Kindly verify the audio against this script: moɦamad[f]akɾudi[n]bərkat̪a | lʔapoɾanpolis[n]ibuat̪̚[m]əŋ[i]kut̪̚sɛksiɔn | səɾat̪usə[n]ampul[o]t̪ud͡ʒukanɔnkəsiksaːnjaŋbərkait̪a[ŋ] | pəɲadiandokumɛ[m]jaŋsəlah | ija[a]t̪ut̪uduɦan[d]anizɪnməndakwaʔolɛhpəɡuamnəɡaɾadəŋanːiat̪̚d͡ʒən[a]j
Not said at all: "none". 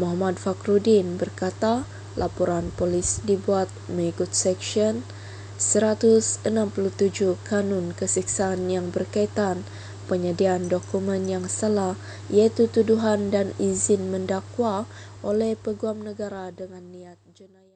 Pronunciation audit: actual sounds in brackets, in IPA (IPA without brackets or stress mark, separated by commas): f, n, d, m, i, n, u, n, n, i, d, a